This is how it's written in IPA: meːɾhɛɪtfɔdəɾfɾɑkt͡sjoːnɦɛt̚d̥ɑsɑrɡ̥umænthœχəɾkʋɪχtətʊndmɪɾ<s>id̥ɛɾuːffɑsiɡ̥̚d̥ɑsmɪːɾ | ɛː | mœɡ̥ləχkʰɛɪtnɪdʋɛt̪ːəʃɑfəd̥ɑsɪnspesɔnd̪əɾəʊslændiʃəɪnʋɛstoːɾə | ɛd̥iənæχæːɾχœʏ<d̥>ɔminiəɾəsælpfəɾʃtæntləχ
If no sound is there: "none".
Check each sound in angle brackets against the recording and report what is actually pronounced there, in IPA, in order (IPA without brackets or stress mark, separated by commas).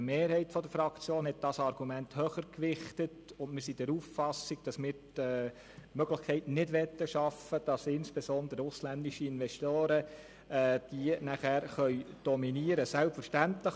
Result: s, d̥